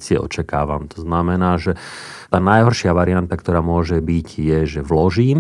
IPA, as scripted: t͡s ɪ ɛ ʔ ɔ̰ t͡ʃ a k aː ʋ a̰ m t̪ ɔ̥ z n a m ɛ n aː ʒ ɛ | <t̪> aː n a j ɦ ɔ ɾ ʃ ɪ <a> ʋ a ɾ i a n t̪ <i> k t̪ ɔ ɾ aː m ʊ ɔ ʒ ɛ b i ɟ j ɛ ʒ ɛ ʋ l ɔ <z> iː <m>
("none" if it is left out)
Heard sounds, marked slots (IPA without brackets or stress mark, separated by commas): t̪, a, a, ʒ, m